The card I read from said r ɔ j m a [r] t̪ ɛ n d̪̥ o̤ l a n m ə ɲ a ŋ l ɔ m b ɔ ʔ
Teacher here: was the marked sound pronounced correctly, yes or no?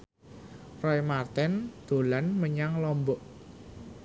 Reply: yes